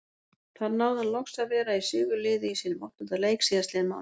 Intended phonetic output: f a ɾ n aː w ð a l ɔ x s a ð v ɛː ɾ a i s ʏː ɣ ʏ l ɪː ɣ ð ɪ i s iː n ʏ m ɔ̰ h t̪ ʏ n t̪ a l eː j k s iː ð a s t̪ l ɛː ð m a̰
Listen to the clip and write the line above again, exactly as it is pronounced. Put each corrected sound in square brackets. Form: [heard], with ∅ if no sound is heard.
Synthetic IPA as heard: [θ] a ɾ n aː w ð a l ɔ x s a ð v ɛː ɾ a i s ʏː ɣ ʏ l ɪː [∅] ð ɪ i s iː n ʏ m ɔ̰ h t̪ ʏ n t̪ a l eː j k s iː ð a s t̪ l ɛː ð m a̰